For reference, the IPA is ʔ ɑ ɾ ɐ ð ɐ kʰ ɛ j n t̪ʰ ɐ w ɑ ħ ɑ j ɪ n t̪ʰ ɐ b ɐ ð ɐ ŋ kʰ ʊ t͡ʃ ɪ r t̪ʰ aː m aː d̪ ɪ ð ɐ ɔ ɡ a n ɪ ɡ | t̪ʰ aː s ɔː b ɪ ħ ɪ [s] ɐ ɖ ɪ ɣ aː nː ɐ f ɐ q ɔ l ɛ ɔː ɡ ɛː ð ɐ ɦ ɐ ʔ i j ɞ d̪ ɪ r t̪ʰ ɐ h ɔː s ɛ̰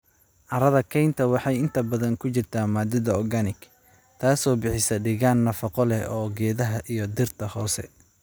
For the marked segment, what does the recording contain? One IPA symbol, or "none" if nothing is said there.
s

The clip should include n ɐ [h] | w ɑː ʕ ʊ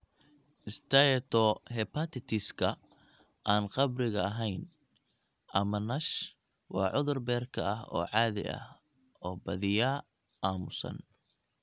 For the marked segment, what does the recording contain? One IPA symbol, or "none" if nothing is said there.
ʃ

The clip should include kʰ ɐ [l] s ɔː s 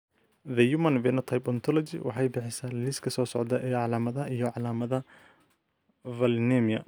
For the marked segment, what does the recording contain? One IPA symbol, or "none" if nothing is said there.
none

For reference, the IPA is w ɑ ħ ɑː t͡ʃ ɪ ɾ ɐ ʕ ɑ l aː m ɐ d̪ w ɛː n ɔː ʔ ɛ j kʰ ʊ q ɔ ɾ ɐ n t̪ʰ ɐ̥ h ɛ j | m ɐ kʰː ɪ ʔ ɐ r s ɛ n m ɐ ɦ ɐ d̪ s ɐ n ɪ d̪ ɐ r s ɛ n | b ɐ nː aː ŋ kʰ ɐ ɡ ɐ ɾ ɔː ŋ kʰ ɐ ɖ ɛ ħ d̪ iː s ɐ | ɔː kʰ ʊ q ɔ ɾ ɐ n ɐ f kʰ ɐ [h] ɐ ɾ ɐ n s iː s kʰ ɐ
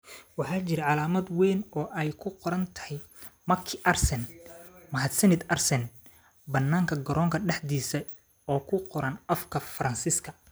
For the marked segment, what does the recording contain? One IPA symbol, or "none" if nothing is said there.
f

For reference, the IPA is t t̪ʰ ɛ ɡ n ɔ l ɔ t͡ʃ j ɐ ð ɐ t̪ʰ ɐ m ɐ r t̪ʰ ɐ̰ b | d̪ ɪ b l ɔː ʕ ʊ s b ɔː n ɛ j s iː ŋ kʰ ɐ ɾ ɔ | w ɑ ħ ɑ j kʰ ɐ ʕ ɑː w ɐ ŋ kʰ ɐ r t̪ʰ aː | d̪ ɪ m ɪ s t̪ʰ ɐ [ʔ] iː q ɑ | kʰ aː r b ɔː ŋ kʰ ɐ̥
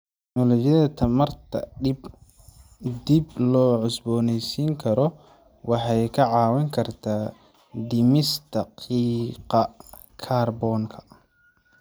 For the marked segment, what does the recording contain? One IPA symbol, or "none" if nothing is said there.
q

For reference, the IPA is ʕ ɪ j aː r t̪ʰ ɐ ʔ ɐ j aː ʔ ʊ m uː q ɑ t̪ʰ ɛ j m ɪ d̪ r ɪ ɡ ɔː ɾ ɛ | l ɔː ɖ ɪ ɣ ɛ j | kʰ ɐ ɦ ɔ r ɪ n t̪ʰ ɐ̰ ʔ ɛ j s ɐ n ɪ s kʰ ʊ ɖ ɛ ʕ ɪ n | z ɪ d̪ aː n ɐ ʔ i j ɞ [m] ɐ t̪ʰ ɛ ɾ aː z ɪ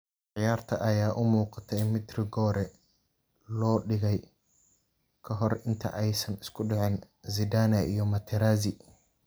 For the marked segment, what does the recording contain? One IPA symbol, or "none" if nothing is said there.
m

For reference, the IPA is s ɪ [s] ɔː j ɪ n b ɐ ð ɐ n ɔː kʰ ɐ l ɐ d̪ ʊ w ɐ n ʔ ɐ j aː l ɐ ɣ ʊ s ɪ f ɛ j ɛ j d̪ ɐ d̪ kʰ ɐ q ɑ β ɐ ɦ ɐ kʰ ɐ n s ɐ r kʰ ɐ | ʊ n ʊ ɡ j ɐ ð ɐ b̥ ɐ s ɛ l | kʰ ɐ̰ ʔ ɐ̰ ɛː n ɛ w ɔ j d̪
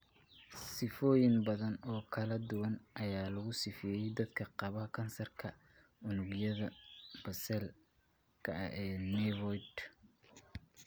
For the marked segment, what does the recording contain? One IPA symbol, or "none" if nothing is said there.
f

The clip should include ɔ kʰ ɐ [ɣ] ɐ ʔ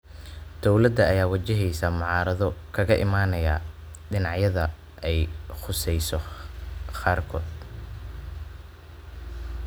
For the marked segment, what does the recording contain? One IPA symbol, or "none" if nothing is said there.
ɣ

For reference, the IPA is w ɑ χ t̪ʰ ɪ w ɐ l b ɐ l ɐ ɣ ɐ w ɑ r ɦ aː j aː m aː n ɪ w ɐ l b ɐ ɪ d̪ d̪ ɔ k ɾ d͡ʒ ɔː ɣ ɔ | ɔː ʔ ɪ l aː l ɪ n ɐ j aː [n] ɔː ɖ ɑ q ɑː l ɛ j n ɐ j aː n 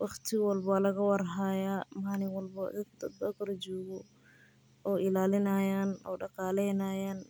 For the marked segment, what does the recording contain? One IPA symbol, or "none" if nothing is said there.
n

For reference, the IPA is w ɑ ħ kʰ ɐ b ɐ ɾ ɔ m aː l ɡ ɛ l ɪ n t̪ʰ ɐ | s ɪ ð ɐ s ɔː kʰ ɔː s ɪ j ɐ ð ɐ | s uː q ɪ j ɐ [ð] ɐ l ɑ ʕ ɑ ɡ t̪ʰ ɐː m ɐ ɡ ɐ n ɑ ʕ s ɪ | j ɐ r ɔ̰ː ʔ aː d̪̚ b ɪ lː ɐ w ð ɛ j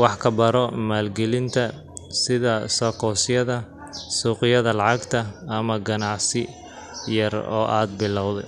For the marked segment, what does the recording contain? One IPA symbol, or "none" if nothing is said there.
ð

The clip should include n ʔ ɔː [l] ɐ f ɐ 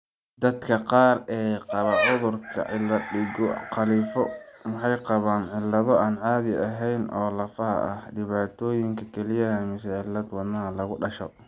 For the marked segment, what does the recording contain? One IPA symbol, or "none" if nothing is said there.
l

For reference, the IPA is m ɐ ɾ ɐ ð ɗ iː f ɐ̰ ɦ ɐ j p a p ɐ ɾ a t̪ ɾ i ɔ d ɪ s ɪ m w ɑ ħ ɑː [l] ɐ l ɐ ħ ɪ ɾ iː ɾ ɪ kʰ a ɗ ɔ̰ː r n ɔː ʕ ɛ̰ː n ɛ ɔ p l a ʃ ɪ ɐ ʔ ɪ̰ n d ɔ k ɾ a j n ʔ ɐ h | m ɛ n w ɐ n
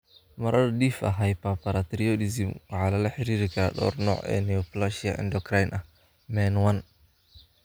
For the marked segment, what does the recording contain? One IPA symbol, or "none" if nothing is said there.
l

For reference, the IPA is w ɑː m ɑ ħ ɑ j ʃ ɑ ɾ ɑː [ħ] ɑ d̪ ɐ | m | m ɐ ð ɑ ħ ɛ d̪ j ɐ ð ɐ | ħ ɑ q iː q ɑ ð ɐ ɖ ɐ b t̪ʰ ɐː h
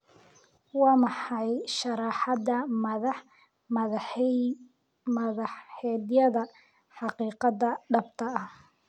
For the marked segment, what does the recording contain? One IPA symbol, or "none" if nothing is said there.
ħ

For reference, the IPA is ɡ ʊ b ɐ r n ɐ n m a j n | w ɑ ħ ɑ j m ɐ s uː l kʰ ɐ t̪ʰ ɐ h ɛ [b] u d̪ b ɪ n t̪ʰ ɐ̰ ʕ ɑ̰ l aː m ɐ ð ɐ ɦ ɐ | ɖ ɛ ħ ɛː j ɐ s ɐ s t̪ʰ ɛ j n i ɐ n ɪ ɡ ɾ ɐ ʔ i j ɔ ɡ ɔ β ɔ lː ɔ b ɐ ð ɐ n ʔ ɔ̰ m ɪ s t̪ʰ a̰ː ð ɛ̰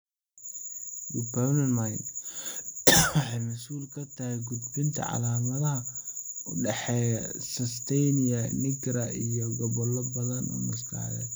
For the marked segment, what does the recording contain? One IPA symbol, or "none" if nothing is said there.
ɡ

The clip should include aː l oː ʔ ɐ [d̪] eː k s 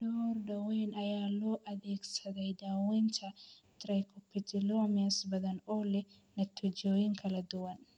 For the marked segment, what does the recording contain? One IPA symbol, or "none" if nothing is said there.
d̪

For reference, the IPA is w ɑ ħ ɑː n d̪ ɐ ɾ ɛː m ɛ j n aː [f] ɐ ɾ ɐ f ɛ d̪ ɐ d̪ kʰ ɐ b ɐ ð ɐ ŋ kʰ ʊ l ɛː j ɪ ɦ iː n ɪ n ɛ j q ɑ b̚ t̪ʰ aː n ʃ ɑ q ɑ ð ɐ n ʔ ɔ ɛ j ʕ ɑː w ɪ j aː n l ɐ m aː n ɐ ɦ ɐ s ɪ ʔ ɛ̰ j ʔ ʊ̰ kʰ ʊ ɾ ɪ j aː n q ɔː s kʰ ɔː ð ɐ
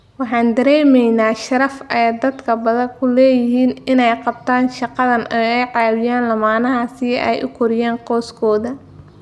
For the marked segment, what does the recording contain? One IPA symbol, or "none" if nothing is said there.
ʃ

